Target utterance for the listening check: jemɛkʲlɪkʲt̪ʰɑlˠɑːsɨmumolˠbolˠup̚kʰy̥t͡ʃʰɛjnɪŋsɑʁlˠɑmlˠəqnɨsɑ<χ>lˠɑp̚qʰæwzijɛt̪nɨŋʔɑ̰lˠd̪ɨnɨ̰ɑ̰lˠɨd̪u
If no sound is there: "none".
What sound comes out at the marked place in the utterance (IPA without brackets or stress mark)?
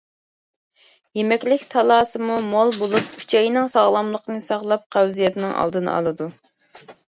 ʁ